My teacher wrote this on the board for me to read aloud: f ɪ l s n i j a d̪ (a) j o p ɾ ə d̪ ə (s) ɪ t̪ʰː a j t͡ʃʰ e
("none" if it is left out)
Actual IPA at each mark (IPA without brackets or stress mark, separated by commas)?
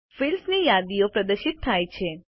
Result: i, ʃ